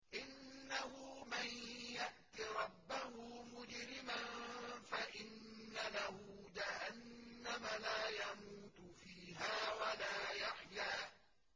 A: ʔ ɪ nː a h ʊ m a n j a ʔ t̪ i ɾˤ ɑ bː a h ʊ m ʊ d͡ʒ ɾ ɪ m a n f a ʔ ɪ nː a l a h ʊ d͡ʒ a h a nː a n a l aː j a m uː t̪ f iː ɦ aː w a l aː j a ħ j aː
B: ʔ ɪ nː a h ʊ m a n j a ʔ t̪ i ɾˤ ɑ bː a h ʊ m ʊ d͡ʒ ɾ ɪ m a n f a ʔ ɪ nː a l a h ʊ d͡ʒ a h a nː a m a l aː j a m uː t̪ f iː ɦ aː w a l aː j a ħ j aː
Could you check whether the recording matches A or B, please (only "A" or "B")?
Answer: B